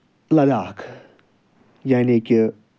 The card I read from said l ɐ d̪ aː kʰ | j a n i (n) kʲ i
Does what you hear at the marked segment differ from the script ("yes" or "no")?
yes